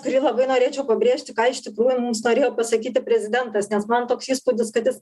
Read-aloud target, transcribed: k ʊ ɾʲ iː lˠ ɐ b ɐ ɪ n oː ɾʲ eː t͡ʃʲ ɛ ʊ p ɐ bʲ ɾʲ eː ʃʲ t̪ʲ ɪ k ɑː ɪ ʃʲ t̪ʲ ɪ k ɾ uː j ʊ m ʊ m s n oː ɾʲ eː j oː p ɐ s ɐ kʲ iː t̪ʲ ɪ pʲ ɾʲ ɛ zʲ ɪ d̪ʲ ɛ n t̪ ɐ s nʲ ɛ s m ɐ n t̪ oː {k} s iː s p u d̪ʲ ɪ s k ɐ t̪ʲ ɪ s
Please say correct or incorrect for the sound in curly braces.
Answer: correct